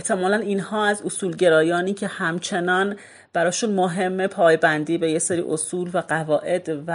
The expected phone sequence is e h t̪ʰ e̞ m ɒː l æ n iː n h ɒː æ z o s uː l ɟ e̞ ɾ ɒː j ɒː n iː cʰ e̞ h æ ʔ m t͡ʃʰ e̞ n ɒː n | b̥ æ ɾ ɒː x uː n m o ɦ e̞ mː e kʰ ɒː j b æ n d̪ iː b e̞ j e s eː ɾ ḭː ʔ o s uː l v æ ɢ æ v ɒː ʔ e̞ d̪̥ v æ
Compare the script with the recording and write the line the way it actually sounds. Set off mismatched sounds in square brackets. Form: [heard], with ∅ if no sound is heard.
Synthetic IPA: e h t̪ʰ e̞ m ɒː l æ n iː n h ɒː æ z o s uː l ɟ e̞ ɾ ɒː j ɒː n iː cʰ e̞ h æ [∅] m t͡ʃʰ e̞ n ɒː n | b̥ æ ɾ ɒː [ʃ] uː n m o ɦ e̞ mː e [pʰ] ɒː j b æ n d̪ iː b e̞ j e s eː ɾ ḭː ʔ o s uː l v æ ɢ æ v ɒː ʔ e̞ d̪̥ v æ